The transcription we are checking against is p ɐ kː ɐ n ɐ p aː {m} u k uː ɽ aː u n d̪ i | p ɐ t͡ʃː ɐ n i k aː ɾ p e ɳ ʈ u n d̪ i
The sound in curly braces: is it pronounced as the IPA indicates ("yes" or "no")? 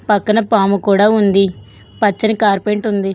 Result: yes